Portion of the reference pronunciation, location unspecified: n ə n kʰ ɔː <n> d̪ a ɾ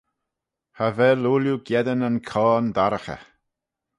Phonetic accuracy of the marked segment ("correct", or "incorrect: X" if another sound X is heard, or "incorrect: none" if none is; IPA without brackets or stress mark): correct